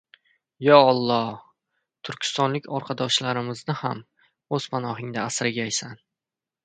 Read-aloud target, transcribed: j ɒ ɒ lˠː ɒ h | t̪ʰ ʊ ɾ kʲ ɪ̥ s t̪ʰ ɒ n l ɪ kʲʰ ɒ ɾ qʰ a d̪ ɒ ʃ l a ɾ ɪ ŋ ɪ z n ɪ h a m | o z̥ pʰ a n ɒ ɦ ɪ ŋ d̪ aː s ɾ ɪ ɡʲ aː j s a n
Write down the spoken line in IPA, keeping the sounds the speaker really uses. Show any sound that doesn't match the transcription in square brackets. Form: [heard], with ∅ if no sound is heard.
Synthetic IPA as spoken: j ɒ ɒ lˠː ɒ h | t̪ʰ ʊ ɾ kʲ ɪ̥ s [t̪] ɒ n l ɪ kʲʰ ɒ ɾ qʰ [ɑ] d̪ ɒ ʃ l a ɾ ɪ [m] ɪ z n ɪ h a m | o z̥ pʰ a n ɒ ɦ ɪ ŋ d̪ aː s ɾ ɪ ɡʲ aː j s a n